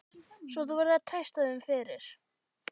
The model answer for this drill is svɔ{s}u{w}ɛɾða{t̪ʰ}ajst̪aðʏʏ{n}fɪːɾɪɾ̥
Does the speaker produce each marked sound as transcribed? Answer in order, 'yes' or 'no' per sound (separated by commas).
no, no, yes, no